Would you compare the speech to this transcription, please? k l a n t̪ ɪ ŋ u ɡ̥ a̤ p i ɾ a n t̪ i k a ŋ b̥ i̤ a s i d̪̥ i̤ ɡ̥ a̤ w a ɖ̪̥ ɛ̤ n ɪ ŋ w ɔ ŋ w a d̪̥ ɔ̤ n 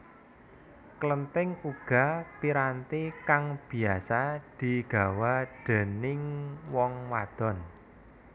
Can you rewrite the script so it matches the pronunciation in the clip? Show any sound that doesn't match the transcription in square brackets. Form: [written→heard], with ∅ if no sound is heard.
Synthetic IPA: k l [a→ə] n t̪ ɪ ŋ u ɡ̥ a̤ p i ɾ a n t̪ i k a ŋ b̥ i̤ a s [i→a] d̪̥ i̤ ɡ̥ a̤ w a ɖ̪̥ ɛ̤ n ɪ ŋ w ɔ ŋ w a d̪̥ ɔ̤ n